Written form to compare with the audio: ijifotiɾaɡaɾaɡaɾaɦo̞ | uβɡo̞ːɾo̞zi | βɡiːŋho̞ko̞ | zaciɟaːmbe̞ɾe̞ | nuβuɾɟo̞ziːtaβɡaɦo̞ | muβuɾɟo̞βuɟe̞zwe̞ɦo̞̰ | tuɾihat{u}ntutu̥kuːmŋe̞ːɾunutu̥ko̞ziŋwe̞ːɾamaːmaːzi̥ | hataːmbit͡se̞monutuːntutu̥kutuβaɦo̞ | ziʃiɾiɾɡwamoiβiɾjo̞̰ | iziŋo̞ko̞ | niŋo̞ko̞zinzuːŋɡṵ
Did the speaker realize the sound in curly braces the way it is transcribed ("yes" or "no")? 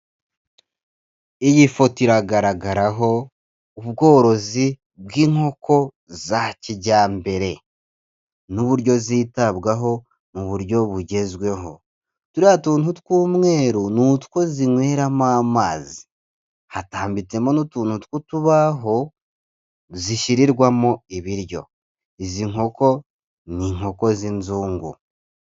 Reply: no